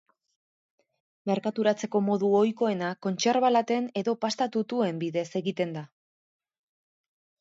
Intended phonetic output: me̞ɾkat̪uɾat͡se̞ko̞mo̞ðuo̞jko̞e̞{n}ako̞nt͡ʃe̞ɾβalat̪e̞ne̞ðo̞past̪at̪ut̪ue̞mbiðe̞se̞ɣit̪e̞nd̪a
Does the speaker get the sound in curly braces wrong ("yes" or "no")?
no